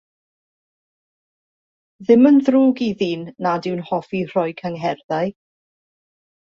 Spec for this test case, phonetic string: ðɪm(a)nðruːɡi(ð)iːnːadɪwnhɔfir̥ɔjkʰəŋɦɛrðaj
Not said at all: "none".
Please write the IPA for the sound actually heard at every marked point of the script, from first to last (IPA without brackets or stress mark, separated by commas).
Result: ə, ð